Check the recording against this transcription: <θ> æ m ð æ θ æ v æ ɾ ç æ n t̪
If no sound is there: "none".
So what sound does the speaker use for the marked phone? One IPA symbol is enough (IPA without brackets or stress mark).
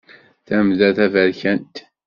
θ